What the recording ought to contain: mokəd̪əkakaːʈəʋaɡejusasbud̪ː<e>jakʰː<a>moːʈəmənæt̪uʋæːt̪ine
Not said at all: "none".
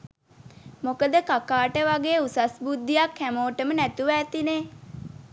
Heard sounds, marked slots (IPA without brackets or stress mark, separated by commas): i, æ